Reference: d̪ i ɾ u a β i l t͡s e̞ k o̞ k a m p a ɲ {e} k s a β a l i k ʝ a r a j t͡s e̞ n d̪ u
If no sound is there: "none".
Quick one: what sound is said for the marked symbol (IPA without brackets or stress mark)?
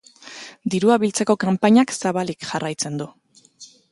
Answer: a